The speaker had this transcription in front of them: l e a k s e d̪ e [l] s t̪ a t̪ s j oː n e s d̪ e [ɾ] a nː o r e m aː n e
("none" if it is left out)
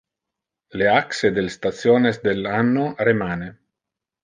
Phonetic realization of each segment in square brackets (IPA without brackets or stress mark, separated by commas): l, l